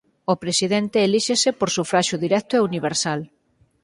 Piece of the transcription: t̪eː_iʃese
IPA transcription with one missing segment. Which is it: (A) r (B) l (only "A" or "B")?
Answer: B